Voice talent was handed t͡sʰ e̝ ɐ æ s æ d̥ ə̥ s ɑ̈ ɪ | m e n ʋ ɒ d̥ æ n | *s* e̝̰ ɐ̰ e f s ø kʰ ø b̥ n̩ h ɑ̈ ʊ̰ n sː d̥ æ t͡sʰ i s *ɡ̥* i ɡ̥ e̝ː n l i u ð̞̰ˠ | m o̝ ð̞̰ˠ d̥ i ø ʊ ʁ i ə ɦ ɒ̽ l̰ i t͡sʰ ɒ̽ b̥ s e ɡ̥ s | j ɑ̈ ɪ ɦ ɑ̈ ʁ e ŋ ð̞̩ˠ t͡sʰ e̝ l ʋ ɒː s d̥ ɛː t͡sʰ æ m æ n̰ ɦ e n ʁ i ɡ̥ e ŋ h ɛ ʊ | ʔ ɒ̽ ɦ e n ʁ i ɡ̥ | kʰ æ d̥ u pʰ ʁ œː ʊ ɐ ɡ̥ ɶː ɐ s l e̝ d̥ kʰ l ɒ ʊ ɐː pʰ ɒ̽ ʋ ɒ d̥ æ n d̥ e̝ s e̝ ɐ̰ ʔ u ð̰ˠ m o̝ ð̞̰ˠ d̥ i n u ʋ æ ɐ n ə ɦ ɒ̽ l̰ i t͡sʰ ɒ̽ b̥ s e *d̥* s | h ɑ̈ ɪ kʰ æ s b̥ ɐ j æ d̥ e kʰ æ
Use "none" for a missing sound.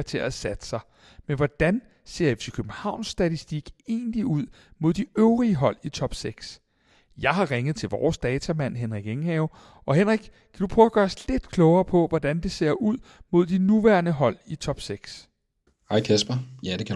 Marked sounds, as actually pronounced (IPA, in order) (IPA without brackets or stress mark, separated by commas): s, d̥, ɡ̥